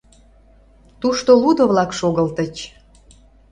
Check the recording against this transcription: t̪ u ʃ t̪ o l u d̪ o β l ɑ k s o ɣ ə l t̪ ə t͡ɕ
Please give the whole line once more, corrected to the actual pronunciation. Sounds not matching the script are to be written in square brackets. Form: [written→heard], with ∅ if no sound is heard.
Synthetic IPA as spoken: t̪ u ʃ t̪ o l u d̪ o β l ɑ k [s→ʃ] o ɣ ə l t̪ ə t͡ɕ